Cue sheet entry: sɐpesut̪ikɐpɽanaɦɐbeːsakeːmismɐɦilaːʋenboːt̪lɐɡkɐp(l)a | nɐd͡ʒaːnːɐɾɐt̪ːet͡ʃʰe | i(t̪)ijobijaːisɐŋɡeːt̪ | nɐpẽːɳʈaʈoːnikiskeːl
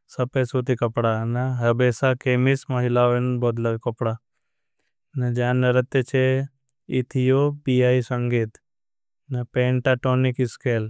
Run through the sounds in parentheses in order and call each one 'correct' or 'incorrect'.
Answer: incorrect: ɽ, incorrect: t̪ʰ

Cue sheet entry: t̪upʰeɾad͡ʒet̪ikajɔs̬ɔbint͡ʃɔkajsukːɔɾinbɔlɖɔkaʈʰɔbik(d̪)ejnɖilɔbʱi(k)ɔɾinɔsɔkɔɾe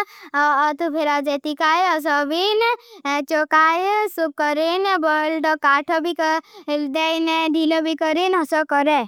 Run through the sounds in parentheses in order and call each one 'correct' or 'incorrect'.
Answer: correct, correct

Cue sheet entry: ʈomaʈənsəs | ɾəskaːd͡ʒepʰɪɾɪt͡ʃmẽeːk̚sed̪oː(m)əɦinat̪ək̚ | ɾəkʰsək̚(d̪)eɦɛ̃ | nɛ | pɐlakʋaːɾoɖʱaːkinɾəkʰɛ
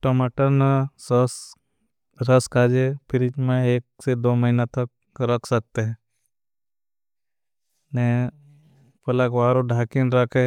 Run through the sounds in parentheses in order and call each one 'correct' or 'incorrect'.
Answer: correct, incorrect: t̪

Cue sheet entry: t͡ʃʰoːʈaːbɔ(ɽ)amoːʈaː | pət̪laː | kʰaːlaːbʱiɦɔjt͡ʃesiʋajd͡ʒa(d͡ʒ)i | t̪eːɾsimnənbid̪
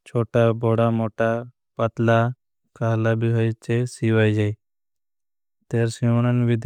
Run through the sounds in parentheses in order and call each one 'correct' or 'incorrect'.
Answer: correct, incorrect: none

